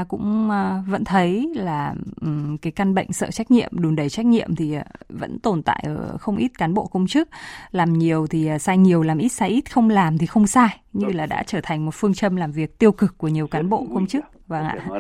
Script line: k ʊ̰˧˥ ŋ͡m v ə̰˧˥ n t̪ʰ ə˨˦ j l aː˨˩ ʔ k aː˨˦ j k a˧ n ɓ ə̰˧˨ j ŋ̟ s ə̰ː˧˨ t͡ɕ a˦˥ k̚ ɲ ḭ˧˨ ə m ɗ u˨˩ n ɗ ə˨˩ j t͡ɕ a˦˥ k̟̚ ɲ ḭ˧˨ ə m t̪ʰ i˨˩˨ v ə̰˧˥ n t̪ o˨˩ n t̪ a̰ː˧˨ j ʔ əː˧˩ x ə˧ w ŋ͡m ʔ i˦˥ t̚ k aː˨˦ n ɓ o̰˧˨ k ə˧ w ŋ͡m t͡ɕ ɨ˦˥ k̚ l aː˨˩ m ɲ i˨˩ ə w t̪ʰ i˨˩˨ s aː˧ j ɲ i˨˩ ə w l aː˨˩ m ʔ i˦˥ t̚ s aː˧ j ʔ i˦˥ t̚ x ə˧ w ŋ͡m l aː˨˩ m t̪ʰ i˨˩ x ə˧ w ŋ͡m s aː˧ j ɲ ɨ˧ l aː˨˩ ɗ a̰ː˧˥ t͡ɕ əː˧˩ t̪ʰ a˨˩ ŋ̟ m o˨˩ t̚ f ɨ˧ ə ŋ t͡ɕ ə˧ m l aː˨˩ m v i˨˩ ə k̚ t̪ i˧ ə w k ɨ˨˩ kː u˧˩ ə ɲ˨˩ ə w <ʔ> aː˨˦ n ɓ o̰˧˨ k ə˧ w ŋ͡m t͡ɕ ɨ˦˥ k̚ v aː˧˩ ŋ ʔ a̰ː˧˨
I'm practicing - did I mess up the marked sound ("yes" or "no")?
yes